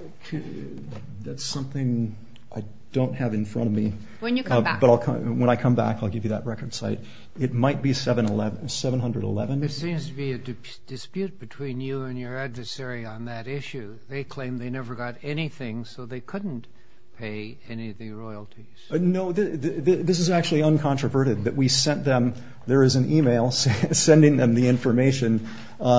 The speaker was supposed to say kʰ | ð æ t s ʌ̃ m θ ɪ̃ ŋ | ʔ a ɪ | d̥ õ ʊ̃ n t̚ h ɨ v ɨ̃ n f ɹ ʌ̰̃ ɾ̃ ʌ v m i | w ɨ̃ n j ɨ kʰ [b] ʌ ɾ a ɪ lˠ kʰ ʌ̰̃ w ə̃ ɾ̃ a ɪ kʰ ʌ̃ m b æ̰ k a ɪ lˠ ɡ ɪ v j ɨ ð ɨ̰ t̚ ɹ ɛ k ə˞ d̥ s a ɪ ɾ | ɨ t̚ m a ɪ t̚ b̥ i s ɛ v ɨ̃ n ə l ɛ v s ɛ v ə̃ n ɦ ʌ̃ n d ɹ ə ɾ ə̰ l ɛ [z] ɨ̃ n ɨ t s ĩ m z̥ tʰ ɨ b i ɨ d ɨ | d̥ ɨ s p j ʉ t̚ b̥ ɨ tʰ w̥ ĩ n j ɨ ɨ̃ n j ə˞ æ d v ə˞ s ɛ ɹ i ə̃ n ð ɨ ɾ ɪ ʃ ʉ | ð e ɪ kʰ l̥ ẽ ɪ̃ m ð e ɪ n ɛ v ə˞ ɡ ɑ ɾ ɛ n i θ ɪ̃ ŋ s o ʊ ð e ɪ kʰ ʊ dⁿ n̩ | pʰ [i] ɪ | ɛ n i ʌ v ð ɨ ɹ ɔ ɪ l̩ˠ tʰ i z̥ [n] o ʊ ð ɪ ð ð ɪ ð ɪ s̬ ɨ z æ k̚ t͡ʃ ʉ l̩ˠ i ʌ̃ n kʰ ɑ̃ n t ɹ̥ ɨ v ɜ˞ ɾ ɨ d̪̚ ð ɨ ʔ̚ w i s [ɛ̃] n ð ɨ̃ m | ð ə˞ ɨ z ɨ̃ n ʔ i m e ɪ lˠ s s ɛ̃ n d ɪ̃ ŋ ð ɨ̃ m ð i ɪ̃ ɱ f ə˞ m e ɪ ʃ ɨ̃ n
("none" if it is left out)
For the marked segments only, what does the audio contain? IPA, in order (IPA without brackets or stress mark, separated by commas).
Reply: b, v, e, n, ɛ̃